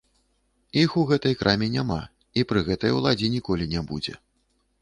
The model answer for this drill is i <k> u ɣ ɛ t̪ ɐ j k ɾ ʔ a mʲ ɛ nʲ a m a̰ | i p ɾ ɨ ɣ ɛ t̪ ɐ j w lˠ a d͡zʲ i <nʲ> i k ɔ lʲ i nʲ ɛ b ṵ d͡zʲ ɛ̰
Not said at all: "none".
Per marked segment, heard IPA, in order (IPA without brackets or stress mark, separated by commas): x, nʲ